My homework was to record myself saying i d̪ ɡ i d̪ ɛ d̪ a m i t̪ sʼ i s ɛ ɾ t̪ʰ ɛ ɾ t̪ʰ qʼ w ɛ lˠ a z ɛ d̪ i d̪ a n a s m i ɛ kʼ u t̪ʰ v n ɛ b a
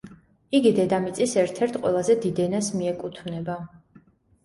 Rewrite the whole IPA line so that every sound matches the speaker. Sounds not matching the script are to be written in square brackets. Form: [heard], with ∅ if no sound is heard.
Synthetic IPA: i [∅] ɡ i d̪ ɛ d̪ a m i t̪ sʼ i s ɛ ɾ t̪ʰ ɛ ɾ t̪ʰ qʼ w ɛ lˠ a z ɛ d̪ i d̪ [ɛ] n a s m i ɛ kʼ u t̪ʰ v n ɛ b a